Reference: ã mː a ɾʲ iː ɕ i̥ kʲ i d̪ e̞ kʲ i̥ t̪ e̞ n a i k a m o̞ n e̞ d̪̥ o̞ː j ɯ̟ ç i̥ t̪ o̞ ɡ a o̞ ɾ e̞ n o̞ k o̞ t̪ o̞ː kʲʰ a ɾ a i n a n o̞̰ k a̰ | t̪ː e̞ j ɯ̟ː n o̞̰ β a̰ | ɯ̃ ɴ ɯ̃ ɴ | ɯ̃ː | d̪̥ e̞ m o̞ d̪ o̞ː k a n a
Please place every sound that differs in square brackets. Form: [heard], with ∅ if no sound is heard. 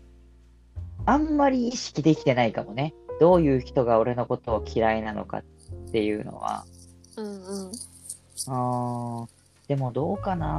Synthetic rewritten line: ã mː a ɾʲ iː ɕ i̥ kʲ i d̪ e̞ kʲ i̥ t̪ e̞ n a i k a m o̞ n e̞ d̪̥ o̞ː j [ɯ̟ː] ç i̥ t̪ o̞ ɡ a o̞ ɾ e̞ n o̞ k o̞ t̪ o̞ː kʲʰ [i] ɾ a i n a n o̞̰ k a̰ | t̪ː e̞ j ɯ̟ː n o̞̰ β a̰ | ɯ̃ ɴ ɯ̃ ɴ | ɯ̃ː | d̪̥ e̞ m o̞ d̪ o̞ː k a n a